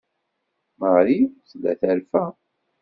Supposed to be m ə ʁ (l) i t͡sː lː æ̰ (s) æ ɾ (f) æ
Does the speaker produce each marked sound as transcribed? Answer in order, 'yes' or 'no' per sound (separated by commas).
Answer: no, no, yes